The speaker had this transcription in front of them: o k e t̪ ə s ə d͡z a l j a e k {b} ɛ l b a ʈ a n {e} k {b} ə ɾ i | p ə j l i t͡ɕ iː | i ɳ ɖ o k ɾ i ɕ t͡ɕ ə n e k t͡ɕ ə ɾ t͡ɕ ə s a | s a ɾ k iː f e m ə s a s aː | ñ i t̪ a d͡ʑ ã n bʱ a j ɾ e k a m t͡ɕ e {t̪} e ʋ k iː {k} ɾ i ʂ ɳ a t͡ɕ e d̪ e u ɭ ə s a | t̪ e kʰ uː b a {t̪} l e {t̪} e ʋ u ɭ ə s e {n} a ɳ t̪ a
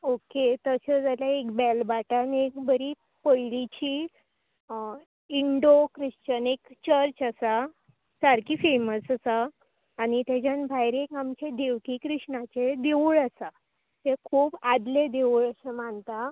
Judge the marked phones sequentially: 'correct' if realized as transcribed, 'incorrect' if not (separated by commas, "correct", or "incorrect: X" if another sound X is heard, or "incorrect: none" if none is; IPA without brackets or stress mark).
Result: correct, correct, correct, incorrect: d̪, correct, incorrect: d̪, incorrect: d̪, incorrect: m